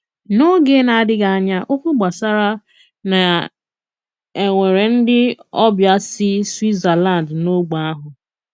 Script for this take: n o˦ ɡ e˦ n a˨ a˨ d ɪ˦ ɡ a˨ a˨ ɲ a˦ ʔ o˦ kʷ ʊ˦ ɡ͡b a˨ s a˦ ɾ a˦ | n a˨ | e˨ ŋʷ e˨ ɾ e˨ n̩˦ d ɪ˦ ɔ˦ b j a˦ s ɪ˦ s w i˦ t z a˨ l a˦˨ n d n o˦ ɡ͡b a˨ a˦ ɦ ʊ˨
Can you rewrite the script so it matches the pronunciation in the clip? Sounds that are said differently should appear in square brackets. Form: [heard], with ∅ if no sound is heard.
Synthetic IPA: n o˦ ɡ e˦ n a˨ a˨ d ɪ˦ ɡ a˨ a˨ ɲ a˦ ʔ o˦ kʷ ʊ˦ ɡ͡b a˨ s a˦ ɾ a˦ | n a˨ | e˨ ŋʷ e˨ ɾ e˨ n̩˦ d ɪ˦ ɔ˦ b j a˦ s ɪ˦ s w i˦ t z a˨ l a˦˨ n d n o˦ ɡ͡b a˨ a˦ ɦ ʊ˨